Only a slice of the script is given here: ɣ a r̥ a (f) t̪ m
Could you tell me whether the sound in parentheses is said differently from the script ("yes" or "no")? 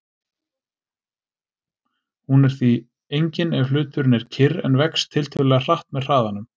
yes